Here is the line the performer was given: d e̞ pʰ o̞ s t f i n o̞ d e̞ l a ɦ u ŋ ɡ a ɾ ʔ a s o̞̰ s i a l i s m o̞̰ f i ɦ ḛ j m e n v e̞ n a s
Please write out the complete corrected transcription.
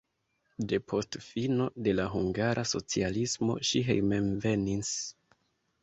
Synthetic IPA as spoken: d e̞ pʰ o̞ s t f i n o̞ d e̞ l a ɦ u ŋ ɡ a ɾ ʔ a s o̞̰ t͡s i a l i s m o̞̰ ʃ i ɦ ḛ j m e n v e̞ n i s